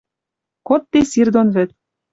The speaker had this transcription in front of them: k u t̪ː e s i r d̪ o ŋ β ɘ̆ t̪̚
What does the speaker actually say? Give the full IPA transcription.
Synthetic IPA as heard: k o t̪ː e s i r d̪ o n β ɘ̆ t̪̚